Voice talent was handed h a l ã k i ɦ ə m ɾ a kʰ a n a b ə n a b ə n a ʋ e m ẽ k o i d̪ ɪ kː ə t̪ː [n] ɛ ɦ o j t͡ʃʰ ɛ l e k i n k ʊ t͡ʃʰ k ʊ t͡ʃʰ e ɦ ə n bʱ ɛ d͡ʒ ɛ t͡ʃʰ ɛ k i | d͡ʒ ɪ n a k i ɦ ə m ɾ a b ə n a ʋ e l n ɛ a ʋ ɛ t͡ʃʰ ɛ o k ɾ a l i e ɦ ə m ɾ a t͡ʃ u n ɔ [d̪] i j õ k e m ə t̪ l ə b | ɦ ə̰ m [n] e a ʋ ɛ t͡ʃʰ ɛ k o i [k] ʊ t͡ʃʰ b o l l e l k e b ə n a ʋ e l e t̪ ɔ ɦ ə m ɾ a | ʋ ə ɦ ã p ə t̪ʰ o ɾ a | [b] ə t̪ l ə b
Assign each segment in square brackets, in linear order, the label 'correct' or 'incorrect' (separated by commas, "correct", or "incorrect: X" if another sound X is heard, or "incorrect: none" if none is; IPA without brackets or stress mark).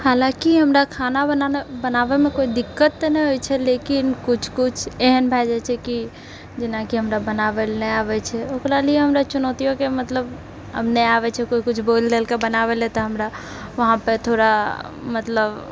correct, incorrect: t̪, correct, correct, incorrect: m